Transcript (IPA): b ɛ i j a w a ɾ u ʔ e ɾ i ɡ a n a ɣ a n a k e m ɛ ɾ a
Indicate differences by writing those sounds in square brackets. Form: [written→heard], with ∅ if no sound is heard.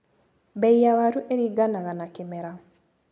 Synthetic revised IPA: b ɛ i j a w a ɾ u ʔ e ɾ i ɡ a n a ɣ a n a k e m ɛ ɾ a